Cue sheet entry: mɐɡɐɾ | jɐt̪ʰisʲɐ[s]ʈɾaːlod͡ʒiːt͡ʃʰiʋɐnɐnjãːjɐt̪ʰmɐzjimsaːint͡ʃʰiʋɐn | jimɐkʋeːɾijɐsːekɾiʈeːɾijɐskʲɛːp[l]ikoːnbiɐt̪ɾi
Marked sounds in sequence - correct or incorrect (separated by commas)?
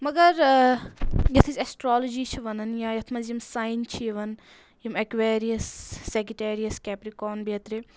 correct, incorrect